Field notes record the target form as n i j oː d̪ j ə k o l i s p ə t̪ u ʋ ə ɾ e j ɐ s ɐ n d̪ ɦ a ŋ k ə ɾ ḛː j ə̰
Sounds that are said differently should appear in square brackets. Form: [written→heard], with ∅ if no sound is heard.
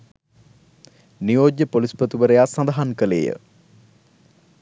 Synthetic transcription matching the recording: n i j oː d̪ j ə [k→p] o l i s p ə t̪ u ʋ ə ɾ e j [ɐ→a] s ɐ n d̪ ɦ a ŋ k ə [ɾ→l] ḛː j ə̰